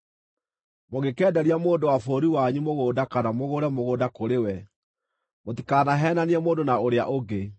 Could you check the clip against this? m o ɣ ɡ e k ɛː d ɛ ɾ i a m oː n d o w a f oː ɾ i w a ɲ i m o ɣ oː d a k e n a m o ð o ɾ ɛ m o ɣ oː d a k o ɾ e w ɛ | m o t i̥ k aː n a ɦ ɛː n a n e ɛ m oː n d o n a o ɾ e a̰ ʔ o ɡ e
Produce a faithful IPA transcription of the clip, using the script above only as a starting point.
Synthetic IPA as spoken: m o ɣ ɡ e k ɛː d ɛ ɾ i a m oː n d o w a f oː ɾ i w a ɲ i m o ɣ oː d a k a n a m o ɣ o ɾ ɛ m o ɣ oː d a k o ɾ e w ɛ | m o t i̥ k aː n a ɦ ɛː n a n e ɛ m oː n d o n a o ɾ e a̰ ʔ o ɡ e

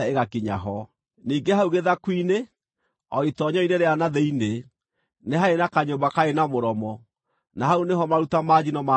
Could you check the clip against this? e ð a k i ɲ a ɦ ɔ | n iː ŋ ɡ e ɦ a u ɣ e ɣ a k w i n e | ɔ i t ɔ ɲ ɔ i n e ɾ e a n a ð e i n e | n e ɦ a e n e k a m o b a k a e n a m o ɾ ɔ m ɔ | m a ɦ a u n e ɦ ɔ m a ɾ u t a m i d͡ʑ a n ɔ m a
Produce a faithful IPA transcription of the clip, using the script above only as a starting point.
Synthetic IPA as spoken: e ɣ a k i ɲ a ɦ ɔ | n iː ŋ ɡ e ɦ a u ɣ e ð a k w i n e | ɔ i t ɔ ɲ ɔ i n e ɾ e a n a ð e i n e | n e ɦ a e n a k a ɲ o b a k a e n a m o ɾ ɔ m ɔ | n a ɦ a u n e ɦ ɔ m a ɾ u t a m a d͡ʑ i n ɔ m a

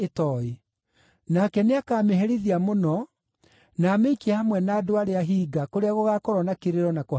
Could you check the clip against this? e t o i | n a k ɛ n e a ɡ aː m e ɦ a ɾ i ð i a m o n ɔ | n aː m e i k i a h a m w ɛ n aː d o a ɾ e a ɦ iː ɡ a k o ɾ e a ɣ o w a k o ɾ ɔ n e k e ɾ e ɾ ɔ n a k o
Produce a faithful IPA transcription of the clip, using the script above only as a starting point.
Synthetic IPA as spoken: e t ɔ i | n a k ɛ n e a k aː m e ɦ ɛ ɾ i ð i a m o n ɔ | n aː m e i k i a h a m w ɛ n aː d o a ɾ e a ɦ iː ɡ a k o ɾ e a ɣ o ɣ a k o ɾ ɔ n a k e ɾ e ɾ ɔ n a k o

